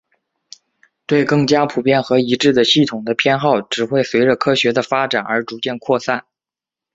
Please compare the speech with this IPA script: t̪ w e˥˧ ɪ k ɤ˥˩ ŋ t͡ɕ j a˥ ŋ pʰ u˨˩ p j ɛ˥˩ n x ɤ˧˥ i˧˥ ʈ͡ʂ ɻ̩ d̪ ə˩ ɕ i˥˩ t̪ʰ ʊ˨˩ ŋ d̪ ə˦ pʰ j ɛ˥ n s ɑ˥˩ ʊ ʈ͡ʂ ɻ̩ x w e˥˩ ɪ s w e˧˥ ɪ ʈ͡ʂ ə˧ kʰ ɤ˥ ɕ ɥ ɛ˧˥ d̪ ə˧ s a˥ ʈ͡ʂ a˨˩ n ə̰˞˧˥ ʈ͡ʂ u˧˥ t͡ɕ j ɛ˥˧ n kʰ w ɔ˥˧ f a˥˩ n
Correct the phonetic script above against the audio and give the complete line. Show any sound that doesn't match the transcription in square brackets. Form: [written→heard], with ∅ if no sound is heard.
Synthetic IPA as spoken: t̪ w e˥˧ ɪ k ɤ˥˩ ŋ t͡ɕ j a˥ [ŋ→∅] pʰ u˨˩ p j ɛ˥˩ n x ɤ˧˥ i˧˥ ʈ͡ʂ ɻ̩ d̪ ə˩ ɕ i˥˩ t̪ʰ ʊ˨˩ ŋ d̪ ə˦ pʰ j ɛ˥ n [s→x] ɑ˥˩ ʊ ʈ͡ʂ ɻ̩ x w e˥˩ ɪ s w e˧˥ ɪ ʈ͡ʂ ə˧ kʰ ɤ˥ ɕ ɥ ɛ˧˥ d̪ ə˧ [s→f] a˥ ʈ͡ʂ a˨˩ n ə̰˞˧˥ ʈ͡ʂ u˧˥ t͡ɕ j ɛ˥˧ n kʰ w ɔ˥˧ [f→s] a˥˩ n